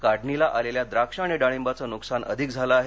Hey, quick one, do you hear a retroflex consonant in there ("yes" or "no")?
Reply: yes